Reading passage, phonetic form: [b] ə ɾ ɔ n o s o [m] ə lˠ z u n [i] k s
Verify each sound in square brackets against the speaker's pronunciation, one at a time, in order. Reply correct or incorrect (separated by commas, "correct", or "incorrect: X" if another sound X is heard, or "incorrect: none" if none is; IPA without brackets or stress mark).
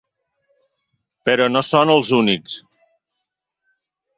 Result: incorrect: p, incorrect: n, correct